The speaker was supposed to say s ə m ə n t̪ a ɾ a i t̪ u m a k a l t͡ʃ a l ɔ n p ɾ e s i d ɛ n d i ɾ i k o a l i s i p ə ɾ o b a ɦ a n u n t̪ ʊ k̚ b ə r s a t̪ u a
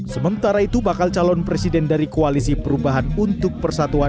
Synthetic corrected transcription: s ə m ə n t̪ a ɾ a i t̪ u b a k a l t͡ʃ a l ɔ n p ɾ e s i d ɛ n d a ɾ i k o a l i s i p ə ɾ u b a ɦ a n u n t̪ ʊ k̚ p ə r s a t̪ u a